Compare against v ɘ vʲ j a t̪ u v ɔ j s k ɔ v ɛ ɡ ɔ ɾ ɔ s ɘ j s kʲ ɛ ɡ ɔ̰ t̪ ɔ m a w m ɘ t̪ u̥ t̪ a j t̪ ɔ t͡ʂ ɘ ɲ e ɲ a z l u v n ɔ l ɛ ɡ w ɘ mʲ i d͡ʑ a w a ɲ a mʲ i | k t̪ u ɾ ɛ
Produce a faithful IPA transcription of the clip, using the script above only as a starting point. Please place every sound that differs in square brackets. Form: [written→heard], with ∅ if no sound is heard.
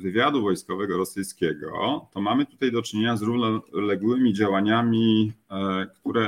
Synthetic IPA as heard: v ɘ vʲ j a [t̪→d̪] u v ɔ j s k ɔ v ɛ ɡ ɔ ɾ ɔ s ɘ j s kʲ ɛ ɡ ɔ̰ t̪ ɔ m a [w→∅] m ɘ t̪ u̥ t̪ a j [t̪→d̪] ɔ t͡ʂ ɘ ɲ e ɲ a z [l→ɾ] u v n ɔ l ɛ ɡ w ɘ mʲ i d͡ʑ a w a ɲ a mʲ i | k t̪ u ɾ ɛ